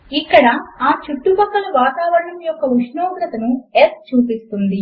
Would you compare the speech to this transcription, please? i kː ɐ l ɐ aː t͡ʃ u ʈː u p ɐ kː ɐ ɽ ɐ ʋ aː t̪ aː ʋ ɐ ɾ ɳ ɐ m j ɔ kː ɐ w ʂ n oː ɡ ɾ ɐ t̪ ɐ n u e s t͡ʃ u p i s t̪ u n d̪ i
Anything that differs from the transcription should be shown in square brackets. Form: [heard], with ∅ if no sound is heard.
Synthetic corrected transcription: i kː ɐ [ɽ] ɐ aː t͡ʃ u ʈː u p ɐ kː ɐ [l] ɐ ʋ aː t̪ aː ʋ ɐ ɾ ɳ ɐ m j ɔ kː ɐ [u] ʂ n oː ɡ ɾ ɐ t̪ ɐ n u e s t͡ʃ [uː] p i s t̪ u n d̪ i